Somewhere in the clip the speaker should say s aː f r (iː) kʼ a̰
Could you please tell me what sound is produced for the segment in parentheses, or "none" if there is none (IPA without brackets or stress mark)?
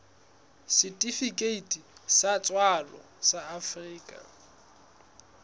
iː